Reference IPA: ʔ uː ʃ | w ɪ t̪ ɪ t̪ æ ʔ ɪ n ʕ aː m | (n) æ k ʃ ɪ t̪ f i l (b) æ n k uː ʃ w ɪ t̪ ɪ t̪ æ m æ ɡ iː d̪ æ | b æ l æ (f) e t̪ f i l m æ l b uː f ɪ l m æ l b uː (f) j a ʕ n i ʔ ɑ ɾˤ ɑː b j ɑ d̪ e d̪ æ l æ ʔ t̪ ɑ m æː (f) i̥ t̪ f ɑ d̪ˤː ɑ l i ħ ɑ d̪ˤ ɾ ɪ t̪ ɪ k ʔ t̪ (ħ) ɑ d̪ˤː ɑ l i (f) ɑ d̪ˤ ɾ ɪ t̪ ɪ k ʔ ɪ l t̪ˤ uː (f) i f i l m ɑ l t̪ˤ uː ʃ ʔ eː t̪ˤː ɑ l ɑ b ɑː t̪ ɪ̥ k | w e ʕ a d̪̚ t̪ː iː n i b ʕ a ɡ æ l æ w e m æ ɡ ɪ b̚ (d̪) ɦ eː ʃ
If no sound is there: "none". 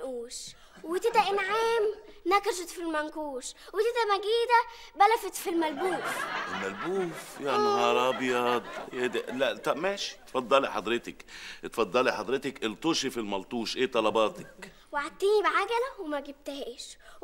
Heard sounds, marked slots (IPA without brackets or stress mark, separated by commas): n, m, f, f, ʃ, f, ħ, ʃ, t̪